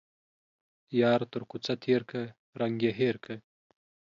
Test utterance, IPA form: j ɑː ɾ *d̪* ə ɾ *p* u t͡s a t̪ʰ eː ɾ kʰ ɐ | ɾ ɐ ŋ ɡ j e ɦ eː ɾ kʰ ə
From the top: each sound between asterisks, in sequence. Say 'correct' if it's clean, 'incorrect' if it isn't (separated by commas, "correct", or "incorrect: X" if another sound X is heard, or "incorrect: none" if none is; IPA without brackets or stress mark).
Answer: incorrect: t̪, incorrect: k